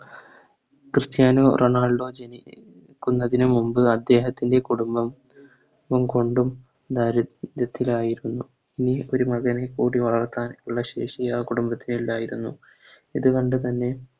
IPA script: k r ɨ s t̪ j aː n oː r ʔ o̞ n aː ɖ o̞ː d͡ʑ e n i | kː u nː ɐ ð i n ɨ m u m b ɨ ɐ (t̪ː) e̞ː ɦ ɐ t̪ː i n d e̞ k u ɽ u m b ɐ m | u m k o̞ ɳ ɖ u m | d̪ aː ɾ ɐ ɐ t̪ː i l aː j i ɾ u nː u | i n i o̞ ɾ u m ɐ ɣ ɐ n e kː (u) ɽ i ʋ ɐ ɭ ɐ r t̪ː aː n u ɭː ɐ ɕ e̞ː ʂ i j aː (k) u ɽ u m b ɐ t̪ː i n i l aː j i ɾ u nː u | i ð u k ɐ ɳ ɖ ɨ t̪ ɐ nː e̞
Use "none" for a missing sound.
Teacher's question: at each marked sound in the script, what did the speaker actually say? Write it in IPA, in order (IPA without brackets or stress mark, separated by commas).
d̪ː, uː, k